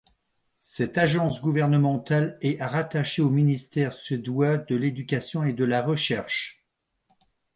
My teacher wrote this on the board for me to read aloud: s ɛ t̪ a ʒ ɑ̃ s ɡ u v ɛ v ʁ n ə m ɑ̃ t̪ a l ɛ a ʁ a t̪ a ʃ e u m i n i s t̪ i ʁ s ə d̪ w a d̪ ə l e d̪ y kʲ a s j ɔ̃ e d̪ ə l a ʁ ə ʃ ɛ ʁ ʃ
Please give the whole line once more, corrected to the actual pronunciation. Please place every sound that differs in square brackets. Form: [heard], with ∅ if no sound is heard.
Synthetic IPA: s ɛ t̪ a ʒ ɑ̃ s ɡ u v ɛ [∅] ʁ n ə m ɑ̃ t̪ a l ɛ a ʁ a t̪ a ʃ e [o] m i n i s t̪ [ɛ] ʁ s ə d̪ w a d̪ ə l e d̪ y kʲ a s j ɔ̃ e d̪ ə l a ʁ ə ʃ ɛ ʁ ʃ